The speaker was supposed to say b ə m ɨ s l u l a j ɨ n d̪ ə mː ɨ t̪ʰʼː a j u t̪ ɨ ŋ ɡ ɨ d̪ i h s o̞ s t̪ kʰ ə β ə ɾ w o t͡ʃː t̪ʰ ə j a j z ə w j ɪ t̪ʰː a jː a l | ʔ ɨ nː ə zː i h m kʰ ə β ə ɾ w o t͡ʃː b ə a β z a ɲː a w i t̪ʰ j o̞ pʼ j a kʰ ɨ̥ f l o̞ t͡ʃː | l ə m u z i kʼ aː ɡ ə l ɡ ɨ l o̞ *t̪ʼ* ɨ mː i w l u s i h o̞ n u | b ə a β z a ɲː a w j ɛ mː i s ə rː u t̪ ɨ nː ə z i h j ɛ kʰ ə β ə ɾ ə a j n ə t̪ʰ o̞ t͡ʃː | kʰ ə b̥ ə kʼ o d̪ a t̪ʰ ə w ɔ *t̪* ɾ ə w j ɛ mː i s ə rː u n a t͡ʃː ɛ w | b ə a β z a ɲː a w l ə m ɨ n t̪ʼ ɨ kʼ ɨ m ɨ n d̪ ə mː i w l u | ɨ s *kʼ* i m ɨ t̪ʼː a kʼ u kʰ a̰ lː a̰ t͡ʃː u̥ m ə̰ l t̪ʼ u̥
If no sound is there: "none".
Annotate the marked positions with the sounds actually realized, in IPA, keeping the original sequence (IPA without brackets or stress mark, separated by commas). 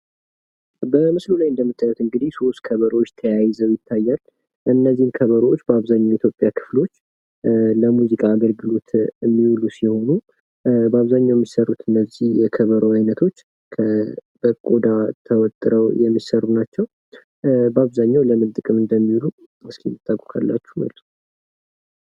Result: t̪, t̪ʼ, k